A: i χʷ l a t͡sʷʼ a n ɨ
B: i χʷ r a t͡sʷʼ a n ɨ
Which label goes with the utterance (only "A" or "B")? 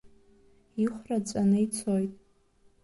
B